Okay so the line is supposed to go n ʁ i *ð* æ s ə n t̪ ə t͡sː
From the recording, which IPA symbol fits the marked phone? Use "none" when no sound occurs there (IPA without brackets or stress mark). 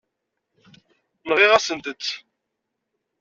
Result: ʁ